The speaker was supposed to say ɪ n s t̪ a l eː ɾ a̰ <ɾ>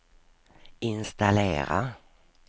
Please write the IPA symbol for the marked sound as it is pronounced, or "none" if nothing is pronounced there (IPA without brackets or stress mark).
none